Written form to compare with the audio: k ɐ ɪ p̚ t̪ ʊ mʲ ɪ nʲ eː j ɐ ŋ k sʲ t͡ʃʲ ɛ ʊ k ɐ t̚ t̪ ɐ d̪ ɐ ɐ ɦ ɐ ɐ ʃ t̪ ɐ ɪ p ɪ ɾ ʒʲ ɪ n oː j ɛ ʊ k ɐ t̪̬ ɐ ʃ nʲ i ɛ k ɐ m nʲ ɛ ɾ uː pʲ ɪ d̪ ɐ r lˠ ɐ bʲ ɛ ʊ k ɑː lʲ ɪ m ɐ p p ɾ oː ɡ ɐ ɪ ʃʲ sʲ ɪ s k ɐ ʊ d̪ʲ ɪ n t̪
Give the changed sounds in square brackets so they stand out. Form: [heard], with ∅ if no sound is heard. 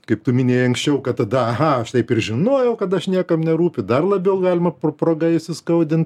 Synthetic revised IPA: k ɐ ɪ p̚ t̪ ʊ mʲ ɪ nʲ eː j ɐ ŋ k sʲ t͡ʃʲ ɛ ʊ k ɐ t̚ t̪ ɐ d̪ ɐ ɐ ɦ ɐ ɐ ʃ t̪ ɐ ɪ p ɪ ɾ ʒʲ ɪ n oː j ɛ ʊ k ɐ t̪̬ ɐ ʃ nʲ i ɛ k ɐ m nʲ ɛ ɾ uː pʲ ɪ d̪ ɐ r lˠ ɐ bʲ ɛ ʊ [ɡ] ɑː lʲ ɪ m ɐ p p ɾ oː ɡ ɐ ɪ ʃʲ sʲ ɪ s k ɐ ʊ d̪ʲ ɪ n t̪